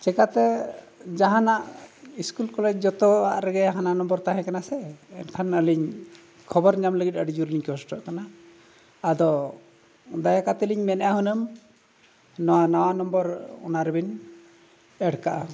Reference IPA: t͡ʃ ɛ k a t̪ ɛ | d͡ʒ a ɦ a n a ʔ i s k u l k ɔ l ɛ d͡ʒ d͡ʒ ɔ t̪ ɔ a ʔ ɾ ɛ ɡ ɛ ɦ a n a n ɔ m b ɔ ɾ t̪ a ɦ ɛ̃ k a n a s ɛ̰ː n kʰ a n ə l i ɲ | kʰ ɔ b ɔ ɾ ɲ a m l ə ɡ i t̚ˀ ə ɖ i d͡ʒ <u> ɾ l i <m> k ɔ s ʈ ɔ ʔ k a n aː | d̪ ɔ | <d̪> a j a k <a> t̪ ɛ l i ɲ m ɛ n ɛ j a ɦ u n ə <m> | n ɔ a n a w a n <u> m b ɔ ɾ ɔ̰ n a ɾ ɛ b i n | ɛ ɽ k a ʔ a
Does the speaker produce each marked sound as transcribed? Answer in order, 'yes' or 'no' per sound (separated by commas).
yes, no, yes, yes, yes, no